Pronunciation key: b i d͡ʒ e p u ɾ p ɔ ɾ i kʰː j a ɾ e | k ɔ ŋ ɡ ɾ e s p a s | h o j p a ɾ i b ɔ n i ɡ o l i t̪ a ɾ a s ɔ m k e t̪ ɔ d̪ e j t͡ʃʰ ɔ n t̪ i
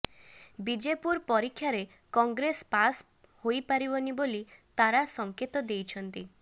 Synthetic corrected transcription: b i d͡ʒ e p u ɾ p ɔ ɾ i kʰː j a ɾ e | k ɔ ŋ ɡ ɾ e s p a s | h o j p a ɾ i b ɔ n i b o l i t̪ a ɾ a s ɔ ŋ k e t̪ ɔ d̪ e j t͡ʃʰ ɔ n t̪ i